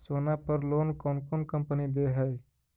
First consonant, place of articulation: alveolar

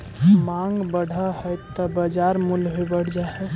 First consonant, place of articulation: labial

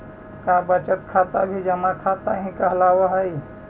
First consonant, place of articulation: velar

